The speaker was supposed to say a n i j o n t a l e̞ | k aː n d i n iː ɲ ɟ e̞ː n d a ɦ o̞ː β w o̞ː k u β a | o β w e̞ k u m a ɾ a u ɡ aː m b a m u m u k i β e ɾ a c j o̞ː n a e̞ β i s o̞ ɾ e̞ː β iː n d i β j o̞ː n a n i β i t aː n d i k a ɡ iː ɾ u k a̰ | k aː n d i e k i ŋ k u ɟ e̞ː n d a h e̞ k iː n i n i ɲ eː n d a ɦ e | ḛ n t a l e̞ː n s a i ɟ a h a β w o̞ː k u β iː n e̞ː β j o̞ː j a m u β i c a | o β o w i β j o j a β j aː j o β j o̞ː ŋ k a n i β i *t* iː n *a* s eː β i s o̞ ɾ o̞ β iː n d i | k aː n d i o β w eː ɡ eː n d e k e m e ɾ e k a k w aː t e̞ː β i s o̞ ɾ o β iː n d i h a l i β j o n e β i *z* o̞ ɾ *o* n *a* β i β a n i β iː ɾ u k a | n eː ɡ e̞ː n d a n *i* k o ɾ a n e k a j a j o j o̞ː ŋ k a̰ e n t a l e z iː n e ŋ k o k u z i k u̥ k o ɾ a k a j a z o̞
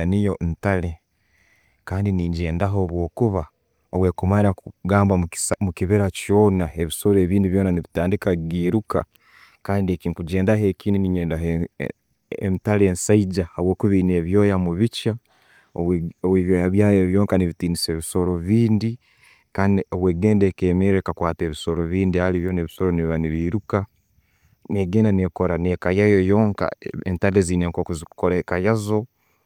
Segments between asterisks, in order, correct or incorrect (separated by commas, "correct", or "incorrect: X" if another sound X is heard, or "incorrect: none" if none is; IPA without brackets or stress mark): correct, incorrect: i, incorrect: s, correct, incorrect: i, incorrect: e